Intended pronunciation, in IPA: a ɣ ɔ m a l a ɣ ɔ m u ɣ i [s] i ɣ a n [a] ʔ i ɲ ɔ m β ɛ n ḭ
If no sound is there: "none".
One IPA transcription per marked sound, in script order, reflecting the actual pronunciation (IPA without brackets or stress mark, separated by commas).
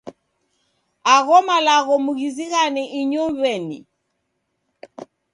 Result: z, ɛ